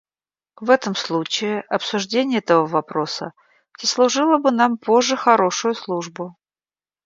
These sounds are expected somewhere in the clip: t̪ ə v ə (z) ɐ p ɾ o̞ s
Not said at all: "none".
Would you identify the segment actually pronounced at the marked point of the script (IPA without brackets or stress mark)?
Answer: v